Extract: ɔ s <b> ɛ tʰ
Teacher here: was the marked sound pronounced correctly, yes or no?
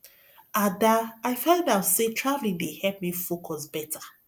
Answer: yes